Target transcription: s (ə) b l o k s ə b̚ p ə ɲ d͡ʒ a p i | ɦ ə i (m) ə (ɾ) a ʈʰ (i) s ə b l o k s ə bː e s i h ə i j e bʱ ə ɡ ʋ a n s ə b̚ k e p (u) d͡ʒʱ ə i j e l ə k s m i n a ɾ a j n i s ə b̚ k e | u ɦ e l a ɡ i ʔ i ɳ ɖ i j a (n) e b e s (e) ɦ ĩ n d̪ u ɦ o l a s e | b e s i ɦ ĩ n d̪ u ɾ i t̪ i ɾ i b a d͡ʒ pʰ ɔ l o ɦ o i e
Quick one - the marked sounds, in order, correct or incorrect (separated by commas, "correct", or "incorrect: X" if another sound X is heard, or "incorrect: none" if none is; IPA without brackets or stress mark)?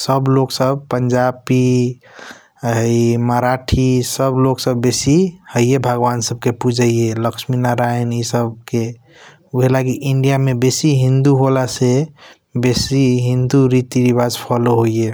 correct, correct, correct, correct, correct, incorrect: m, incorrect: i